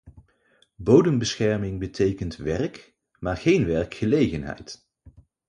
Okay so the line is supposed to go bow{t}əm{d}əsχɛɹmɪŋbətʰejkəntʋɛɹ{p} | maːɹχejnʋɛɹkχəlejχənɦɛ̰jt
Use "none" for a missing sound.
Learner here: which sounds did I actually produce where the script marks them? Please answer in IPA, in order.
d, b, k

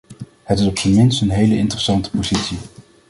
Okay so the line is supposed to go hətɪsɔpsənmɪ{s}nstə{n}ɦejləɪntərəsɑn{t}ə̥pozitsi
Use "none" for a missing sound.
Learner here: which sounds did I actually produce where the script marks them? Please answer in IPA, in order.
none, n, t

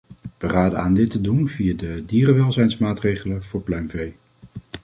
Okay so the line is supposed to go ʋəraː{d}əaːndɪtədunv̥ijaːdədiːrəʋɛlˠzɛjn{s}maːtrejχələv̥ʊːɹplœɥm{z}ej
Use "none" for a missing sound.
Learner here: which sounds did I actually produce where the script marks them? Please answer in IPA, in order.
d, s, v

